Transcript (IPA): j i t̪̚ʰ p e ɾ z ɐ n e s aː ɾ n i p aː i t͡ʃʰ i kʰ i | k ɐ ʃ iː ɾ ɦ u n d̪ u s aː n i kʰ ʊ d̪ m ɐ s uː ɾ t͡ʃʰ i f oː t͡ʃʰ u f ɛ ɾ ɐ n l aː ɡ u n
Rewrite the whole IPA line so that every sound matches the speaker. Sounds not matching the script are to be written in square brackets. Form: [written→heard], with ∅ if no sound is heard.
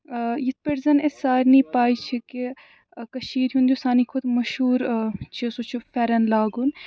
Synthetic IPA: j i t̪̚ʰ p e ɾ z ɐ n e s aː ɾ n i p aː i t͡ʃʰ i [kʰ→k] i | k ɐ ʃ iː ɾ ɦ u n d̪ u s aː n i kʰ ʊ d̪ m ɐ [s→ʃ] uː ɾ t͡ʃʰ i [f→s] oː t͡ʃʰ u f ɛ ɾ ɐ n l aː ɡ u n

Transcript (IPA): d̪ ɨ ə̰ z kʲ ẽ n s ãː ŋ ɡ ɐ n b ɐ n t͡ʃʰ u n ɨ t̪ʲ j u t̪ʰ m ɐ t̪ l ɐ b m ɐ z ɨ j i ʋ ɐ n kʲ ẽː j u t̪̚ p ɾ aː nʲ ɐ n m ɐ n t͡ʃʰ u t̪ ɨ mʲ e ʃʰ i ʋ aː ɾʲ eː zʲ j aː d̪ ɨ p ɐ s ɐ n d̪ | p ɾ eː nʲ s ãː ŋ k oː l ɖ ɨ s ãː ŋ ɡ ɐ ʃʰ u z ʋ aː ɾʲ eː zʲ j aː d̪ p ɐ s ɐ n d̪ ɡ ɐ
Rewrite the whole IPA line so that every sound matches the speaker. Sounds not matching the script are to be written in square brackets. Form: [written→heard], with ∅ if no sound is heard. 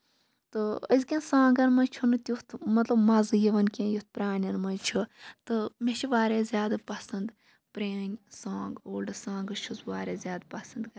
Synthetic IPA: [d̪→t̪] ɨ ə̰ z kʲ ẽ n s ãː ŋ ɡ ɐ n [b→m] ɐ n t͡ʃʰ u n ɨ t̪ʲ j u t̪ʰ m ɐ t̪ l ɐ b m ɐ z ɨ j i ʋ ɐ n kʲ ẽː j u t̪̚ p ɾ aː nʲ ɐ n m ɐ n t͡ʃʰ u t̪ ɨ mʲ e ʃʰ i ʋ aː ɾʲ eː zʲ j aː d̪ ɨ p ɐ s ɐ n d̪ | p ɾ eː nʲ s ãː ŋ [k→ɡ] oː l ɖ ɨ s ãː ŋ ɡ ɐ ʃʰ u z ʋ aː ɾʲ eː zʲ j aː d̪ p ɐ s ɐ n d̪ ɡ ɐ

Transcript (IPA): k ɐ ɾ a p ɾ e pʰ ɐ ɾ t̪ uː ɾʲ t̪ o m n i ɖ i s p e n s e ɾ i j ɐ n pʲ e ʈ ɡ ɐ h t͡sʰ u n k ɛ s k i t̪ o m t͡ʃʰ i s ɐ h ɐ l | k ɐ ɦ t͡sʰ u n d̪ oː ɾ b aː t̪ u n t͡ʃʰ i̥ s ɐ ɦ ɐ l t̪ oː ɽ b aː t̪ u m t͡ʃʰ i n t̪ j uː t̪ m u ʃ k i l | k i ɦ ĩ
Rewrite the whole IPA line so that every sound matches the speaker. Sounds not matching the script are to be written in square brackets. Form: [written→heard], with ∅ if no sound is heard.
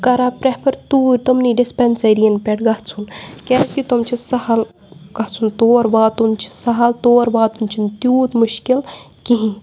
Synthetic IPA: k ɐ ɾ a p ɾ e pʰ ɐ ɾ t̪ uː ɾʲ t̪ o m n i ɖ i s p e n s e ɾ i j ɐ n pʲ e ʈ ɡ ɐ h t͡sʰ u n k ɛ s k i t̪ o m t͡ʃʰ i s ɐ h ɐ l | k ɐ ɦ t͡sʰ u n [d̪→t̪] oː ɾ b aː t̪ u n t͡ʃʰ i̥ s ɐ ɦ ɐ l t̪ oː [ɽ→ɾ] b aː t̪ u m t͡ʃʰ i n t̪ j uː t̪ m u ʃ k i l | k i ɦ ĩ

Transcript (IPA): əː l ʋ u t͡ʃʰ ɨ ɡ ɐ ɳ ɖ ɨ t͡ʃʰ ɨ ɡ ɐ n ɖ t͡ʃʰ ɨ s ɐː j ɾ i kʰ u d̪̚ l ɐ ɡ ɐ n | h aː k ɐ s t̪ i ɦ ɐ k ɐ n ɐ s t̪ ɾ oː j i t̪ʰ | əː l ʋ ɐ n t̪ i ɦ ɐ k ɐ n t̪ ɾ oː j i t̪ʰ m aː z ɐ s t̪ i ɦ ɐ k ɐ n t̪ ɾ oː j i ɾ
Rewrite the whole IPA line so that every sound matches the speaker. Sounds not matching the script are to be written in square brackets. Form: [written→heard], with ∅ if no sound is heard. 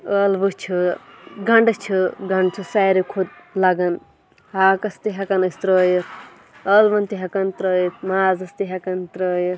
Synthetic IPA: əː l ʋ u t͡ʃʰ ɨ ɡ ɐ ɳ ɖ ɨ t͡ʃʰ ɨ ɡ ɐ [n→ɳ] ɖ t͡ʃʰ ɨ s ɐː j ɾ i kʰ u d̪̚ l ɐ ɡ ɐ n | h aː k ɐ s t̪ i ɦ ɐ k ɐ n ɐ s t̪ ɾ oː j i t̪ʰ | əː l ʋ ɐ n t̪ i ɦ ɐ k ɐ n t̪ ɾ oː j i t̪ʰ m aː z ɐ s t̪ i ɦ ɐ k ɐ n t̪ ɾ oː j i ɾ

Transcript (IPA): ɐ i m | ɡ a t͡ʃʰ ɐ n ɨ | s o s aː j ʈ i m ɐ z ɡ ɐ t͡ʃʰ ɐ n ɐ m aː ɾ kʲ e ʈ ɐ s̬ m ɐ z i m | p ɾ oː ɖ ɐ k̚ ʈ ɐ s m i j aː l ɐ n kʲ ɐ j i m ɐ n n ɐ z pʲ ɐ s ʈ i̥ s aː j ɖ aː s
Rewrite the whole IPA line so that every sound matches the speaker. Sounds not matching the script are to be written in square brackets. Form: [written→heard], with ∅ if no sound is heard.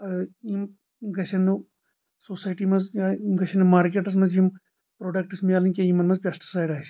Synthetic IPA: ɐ i m | ɡ [a→ɐ] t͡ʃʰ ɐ n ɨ | s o s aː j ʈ i m ɐ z ɡ ɐ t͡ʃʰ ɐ n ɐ m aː ɾ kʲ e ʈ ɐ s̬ m ɐ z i m | p ɾ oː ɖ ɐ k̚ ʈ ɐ s m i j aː l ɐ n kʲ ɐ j i m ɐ n [n→m] ɐ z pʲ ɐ s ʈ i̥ s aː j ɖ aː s

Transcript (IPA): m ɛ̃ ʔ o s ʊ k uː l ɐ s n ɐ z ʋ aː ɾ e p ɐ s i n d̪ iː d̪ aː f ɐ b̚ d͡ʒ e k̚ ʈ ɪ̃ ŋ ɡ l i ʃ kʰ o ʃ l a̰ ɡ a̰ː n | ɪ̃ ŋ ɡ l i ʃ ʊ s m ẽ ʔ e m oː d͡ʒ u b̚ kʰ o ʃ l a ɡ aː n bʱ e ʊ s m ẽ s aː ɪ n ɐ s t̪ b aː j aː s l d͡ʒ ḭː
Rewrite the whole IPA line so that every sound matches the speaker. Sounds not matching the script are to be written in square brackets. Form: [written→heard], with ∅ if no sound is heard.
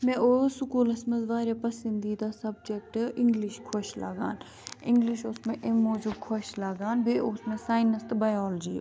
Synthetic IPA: m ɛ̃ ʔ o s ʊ k uː l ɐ s [n→m] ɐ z ʋ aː ɾ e p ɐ s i n d̪ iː d̪ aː [f→s] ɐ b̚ d͡ʒ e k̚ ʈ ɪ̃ ŋ ɡ l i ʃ kʰ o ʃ l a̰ ɡ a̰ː n | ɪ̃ ŋ ɡ l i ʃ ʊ s m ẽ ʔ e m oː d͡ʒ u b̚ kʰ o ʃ l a ɡ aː n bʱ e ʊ s m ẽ s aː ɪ n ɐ s t̪ b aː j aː [s→∅] l d͡ʒ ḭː

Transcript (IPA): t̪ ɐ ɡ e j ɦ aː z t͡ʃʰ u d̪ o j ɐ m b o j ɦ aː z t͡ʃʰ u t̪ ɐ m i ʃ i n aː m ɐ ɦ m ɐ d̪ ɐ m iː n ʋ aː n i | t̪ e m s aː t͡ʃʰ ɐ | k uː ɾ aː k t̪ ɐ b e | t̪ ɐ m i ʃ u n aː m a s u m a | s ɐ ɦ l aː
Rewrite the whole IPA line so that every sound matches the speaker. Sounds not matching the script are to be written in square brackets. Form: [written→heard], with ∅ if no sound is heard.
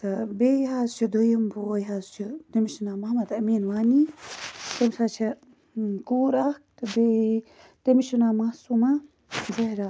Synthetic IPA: t̪ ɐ [ɡ→b] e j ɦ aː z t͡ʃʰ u d̪ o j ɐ m b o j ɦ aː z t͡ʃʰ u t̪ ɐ m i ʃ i n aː m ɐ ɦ m ɐ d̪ ɐ m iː n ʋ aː n i | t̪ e m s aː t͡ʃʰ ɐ | k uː ɾ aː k t̪ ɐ b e | t̪ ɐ m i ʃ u n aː m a s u m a | [s→z] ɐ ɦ [l→ɾ] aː

